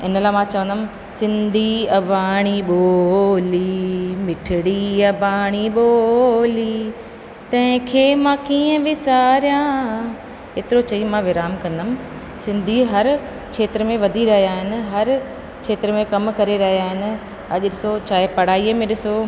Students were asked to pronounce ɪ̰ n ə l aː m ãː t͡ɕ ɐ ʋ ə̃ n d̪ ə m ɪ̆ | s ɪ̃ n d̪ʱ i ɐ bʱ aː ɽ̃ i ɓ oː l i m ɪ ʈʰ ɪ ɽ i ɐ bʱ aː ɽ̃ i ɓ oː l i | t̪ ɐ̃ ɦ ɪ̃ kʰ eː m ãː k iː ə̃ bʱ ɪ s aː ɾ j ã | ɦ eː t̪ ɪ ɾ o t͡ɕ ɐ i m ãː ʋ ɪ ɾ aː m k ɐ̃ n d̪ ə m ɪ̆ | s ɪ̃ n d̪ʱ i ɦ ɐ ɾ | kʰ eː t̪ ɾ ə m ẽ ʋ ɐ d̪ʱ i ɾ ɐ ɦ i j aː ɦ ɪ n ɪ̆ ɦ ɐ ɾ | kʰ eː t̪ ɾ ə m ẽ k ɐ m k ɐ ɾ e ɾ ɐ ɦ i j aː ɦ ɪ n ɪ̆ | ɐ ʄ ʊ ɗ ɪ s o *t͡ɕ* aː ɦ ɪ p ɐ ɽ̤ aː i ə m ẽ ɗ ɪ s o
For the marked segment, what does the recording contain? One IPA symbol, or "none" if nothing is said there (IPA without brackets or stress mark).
t͡ɕ